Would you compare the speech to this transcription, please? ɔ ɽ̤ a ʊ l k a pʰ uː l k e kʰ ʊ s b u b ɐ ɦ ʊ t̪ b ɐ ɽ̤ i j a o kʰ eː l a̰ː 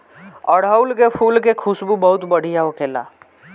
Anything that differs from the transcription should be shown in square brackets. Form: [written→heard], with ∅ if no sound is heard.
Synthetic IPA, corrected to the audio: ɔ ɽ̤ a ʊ l k [a→e] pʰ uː l k e kʰ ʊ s b u b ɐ ɦ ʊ t̪ b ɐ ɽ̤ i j a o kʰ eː l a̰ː